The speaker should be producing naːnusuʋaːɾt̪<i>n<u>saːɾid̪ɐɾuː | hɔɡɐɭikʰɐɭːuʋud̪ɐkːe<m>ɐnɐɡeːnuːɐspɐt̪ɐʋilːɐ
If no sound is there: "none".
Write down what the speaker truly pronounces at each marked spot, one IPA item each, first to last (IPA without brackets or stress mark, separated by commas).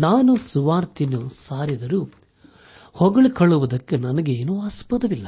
i, u, n